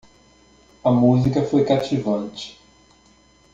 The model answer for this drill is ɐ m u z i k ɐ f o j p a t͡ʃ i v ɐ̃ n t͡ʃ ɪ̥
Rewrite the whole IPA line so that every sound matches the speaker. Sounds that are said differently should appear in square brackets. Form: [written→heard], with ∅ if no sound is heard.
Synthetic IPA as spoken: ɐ m u z i k ɐ f o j [p→k] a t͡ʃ i v ɐ̃ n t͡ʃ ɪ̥